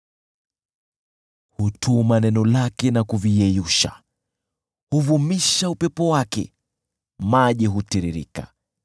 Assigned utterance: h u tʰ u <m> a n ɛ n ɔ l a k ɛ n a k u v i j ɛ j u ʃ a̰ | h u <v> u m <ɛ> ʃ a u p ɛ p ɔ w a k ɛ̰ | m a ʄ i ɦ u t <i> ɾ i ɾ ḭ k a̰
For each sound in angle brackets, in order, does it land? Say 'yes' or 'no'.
yes, yes, no, yes

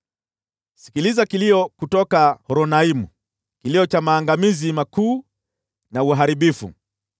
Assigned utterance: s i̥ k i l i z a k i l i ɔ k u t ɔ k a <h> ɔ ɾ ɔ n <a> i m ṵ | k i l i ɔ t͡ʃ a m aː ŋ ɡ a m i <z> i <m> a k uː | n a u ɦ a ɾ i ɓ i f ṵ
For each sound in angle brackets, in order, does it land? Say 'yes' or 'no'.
yes, yes, yes, yes

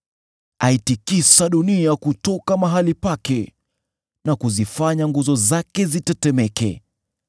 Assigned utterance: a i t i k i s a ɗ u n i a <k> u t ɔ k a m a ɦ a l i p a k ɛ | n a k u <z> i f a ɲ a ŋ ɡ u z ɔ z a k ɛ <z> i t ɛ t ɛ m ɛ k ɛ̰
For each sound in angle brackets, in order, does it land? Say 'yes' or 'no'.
yes, yes, yes

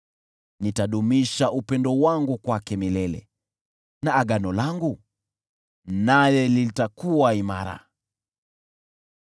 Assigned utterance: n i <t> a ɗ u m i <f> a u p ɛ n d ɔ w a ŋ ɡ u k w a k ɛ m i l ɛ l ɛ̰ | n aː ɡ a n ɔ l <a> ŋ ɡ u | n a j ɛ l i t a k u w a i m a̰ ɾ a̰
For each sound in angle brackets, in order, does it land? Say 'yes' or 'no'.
yes, no, yes

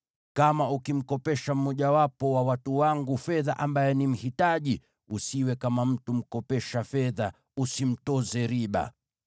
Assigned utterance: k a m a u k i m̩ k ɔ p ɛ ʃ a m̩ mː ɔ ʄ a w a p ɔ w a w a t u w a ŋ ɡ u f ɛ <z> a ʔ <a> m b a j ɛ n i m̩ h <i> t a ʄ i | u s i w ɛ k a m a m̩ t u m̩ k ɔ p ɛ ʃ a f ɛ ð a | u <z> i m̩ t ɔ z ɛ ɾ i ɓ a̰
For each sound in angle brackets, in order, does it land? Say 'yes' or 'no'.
no, yes, yes, no

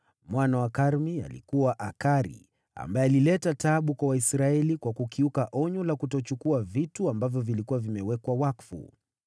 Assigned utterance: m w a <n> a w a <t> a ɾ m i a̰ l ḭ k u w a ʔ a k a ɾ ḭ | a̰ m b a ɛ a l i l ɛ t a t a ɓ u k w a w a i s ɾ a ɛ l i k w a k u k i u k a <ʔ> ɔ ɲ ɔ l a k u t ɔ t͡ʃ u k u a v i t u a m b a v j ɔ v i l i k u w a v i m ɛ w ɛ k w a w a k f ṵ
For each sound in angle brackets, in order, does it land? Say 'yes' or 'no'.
yes, no, yes

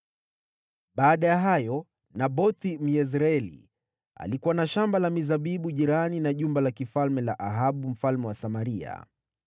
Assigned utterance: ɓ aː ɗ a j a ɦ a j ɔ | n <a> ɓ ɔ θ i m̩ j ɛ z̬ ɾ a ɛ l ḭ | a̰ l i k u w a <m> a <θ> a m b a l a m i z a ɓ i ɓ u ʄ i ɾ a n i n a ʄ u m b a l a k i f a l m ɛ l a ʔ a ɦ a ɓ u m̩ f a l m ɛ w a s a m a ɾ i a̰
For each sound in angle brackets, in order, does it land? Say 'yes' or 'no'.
yes, no, no

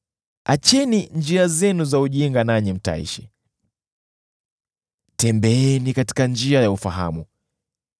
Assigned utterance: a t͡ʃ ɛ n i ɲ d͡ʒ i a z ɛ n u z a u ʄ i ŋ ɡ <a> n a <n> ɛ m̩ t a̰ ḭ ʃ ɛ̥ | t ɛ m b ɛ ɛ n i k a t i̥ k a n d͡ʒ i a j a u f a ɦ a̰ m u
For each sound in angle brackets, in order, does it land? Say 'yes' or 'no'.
yes, no

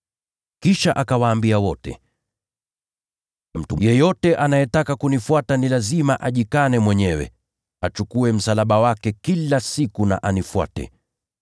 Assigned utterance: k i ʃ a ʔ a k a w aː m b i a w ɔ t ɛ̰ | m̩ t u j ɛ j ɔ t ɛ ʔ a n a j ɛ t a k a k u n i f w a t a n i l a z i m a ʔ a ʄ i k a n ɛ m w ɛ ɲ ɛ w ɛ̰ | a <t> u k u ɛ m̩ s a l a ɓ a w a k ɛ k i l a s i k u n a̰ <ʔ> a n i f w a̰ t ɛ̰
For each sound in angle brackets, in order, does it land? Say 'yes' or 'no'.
no, yes

